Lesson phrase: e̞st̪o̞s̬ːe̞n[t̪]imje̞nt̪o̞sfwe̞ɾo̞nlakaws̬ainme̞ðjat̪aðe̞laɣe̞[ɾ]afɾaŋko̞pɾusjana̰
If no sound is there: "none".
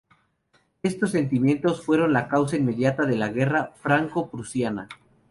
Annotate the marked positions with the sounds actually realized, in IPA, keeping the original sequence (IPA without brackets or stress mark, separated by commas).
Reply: t̪, r